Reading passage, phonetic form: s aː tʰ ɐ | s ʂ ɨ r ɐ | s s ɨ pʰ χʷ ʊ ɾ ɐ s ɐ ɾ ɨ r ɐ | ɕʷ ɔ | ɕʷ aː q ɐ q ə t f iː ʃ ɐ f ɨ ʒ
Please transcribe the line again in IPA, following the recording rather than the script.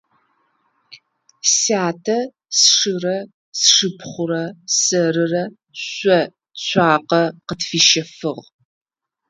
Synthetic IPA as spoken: s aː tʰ ɐ | s ʂ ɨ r ɐ | s ʂ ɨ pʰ χʷ ʊ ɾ ɐ s ɐ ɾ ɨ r ɐ | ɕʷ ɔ | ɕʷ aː q ɐ q ə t f iː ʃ ɐ f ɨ ʁ

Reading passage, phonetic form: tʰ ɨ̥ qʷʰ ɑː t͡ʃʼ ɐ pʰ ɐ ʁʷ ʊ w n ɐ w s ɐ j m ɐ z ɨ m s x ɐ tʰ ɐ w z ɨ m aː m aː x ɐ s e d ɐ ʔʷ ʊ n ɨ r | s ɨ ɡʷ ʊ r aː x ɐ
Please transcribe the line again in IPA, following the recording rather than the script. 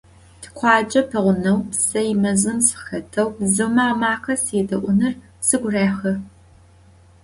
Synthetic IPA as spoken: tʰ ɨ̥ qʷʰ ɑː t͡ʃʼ ɐ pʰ ɐ ʁʷ ʊ n ɐ w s ɐ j m ɐ z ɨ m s x ɐ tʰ ɐ w z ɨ m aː m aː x ɐ s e d ɐ ʔʷ ʊ n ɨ r | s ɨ ɡʷ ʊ r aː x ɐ

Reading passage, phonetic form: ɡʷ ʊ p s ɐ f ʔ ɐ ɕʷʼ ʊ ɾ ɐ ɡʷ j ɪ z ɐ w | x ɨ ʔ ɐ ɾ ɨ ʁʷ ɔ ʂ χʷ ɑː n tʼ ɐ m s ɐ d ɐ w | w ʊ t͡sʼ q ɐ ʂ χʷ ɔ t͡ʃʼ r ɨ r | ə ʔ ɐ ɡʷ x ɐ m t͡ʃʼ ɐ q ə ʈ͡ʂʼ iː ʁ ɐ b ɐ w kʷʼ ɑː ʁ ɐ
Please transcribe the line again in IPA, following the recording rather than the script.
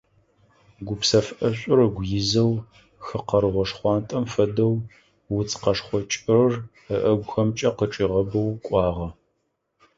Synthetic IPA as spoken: ɡʷ ʊ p s ɐ f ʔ ɐ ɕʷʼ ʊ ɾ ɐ ɡʷ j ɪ z ɐ w | x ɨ q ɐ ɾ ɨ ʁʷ ɔ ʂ χʷ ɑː n tʼ ɐ m f ɐ d ɐ w | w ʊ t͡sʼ q ɐ ʂ χʷ ɔ t͡ʃʼ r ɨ r | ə ʔ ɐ ɡʷ x ɐ m t͡ʃʼ ɐ q ə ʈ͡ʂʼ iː ʁ ɐ b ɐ w kʷʼ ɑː ʁ ɐ

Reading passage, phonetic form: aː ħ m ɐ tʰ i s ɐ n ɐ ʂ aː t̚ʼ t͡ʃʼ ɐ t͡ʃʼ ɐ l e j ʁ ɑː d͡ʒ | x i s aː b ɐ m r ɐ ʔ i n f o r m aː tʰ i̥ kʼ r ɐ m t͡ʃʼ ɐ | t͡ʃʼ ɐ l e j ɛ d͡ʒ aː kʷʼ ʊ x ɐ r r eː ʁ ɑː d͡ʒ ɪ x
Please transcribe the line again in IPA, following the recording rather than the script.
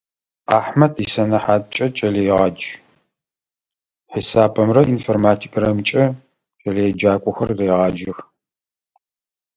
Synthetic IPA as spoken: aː ħ m ɐ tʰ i s ɐ n ɐ ħ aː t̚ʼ t͡ʃʼ ɐ t͡ʃʼ ɐ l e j ʁ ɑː d͡ʒ | ħ i s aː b ɐ m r ɐ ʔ i n f o r m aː tʰ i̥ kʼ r ɐ m t͡ʃʼ ɐ | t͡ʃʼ ɐ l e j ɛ d͡ʒ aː kʷʼ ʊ x ɐ r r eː ʁ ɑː d͡ʒ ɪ x

